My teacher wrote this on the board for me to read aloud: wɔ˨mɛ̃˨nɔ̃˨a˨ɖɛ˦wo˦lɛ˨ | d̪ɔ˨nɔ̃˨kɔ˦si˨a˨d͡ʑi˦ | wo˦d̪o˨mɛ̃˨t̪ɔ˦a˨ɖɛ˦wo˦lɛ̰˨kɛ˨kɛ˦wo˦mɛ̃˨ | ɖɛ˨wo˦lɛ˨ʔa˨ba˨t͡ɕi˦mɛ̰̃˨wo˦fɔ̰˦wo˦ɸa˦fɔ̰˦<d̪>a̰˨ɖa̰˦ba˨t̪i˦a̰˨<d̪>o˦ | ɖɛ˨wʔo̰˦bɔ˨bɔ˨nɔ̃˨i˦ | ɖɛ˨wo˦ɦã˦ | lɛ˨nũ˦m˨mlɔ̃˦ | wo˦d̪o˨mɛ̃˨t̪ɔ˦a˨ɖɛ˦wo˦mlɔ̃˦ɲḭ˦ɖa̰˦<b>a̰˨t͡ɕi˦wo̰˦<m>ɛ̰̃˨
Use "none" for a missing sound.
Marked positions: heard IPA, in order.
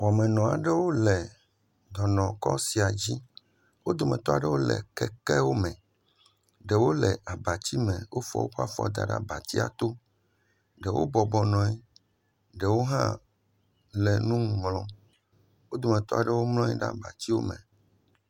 d̪, t̪, b, m

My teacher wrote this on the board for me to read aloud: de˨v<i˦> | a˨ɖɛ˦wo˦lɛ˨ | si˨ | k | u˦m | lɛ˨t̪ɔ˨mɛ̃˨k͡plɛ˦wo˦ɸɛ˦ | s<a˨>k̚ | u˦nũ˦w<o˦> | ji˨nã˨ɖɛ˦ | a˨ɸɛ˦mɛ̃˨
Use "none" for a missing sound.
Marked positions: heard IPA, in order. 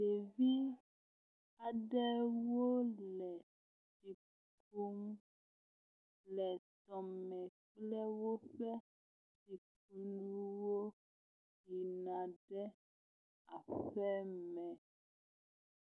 i˦, i˨, o˦

